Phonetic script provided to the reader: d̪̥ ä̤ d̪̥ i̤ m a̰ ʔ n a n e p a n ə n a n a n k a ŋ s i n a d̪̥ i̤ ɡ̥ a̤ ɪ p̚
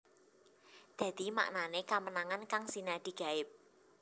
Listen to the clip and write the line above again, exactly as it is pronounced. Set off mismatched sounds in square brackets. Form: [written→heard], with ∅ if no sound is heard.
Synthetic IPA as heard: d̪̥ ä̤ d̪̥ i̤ m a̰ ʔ n a n e [p→k] a [n→m] ə n a [n→ŋ] a n k a ŋ s i n a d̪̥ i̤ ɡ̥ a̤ ɪ p̚